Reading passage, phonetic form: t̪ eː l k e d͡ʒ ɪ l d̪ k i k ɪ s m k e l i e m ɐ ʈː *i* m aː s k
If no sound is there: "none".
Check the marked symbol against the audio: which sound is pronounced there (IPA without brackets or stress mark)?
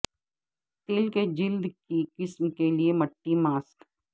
i